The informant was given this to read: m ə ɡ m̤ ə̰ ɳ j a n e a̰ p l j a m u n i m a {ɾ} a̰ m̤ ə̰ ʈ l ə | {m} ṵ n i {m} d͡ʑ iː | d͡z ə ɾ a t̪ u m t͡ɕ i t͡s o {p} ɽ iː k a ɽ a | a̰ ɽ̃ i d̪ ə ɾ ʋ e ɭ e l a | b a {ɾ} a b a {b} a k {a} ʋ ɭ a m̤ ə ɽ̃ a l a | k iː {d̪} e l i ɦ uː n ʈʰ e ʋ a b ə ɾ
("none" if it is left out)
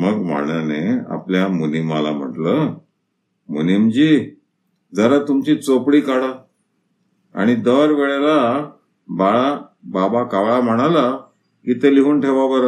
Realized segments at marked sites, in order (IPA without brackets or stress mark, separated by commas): l, m, m, p, ɭ, b, a, t̪